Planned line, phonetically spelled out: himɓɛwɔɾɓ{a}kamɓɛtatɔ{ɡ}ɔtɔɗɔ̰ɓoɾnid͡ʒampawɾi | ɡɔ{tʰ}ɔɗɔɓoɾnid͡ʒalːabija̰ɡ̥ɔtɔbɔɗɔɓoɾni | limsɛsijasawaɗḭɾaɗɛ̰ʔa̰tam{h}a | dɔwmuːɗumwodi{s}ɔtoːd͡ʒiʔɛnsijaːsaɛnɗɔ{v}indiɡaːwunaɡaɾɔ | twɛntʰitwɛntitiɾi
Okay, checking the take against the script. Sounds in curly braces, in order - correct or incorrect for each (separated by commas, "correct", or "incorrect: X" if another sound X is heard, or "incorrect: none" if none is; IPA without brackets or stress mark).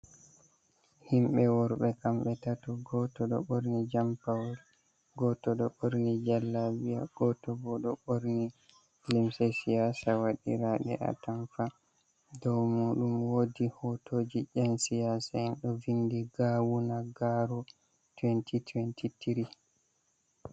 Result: incorrect: ɛ, correct, incorrect: t, incorrect: f, incorrect: h, correct